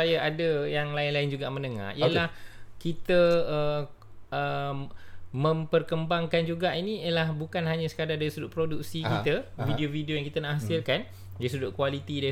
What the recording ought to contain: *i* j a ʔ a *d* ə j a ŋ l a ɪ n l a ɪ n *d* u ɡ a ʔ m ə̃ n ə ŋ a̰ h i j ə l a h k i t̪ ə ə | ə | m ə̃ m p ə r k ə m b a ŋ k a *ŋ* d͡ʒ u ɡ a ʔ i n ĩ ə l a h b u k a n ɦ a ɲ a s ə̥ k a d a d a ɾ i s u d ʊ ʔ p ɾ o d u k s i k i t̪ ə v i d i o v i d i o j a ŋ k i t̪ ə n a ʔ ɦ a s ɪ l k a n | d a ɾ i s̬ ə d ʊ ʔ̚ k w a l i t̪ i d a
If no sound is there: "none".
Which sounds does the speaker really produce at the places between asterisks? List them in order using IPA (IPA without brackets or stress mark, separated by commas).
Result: a, d, d͡ʒ, n